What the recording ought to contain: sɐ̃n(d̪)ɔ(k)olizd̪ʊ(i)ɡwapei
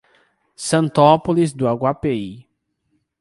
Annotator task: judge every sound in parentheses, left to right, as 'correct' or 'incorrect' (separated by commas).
incorrect, incorrect, incorrect